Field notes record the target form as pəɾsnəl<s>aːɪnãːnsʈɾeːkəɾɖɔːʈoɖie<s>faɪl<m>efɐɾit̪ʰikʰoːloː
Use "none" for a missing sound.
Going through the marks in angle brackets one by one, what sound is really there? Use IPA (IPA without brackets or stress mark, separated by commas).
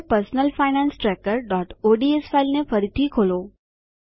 f, s, n